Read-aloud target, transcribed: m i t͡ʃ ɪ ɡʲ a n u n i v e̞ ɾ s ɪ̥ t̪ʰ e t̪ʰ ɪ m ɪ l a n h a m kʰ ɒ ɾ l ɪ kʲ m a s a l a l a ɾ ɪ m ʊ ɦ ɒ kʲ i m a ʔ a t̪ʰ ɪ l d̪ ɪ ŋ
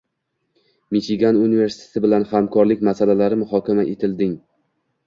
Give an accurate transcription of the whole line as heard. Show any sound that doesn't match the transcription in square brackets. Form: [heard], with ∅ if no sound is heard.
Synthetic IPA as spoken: m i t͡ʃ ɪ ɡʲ a n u n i v e̞ ɾ s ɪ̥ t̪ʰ e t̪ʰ ɪ [b] ɪ l a n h a m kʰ ɒ ɾ l ɪ kʲ m a s a l a l a ɾ ɪ m ʊ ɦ ɒ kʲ [a] m a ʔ [e] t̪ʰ ɪ l d̪ ɪ ŋ